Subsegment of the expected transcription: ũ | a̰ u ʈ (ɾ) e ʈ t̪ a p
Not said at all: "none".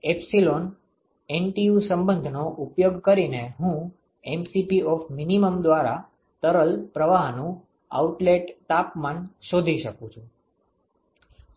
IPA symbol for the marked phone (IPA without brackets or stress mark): l